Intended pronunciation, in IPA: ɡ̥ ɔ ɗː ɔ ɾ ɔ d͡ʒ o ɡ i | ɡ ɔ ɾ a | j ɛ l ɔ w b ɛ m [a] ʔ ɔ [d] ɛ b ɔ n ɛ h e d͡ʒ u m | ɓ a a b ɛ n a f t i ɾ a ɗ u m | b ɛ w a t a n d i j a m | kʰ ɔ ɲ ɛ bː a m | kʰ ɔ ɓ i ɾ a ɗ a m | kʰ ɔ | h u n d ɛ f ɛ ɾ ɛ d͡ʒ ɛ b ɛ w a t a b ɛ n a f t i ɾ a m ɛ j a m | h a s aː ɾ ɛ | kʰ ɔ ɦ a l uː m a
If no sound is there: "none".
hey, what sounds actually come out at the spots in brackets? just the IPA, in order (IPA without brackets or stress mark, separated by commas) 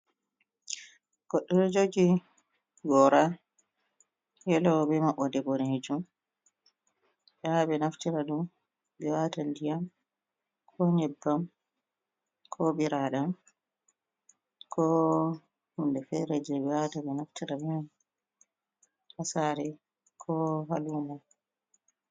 a, d